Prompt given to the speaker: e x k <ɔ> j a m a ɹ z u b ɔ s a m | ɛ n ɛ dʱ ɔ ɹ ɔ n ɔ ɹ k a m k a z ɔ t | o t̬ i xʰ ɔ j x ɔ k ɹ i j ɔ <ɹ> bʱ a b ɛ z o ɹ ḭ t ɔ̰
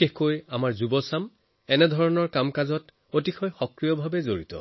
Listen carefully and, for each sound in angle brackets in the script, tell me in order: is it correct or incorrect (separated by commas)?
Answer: incorrect, incorrect